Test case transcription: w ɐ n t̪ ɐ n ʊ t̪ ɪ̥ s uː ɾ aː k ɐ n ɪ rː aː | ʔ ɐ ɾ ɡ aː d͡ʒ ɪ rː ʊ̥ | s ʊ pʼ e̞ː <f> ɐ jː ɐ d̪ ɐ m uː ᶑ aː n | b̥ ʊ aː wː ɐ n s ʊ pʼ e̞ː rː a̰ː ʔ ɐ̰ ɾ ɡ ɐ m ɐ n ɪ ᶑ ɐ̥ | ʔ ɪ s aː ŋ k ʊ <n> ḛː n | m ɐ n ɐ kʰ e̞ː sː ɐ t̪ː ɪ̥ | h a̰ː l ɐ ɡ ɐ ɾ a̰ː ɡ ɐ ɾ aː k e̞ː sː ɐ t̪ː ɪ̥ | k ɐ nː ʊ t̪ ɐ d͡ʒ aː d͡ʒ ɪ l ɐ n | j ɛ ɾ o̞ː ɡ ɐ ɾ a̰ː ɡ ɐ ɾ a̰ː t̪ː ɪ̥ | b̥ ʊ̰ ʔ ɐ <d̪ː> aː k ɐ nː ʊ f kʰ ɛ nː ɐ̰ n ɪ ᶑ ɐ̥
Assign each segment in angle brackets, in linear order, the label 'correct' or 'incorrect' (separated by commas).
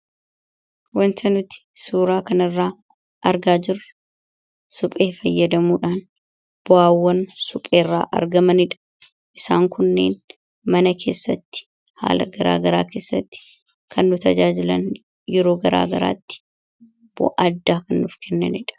correct, incorrect, correct